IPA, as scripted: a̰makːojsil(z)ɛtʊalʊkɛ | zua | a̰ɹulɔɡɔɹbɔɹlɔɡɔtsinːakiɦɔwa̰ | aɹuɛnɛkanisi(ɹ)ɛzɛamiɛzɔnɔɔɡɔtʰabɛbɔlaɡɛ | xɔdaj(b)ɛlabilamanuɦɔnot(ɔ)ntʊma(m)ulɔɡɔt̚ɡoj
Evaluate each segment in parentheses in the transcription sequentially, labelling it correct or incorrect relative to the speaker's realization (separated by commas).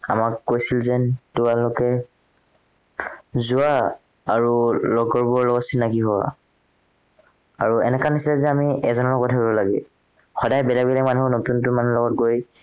correct, incorrect, correct, incorrect, incorrect